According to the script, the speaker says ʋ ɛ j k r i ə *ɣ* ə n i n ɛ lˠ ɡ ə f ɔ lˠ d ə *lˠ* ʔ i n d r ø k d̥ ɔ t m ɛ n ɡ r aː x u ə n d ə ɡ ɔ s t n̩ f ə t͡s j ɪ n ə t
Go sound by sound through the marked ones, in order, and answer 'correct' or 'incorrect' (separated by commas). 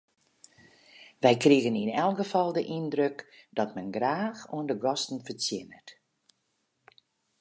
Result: correct, incorrect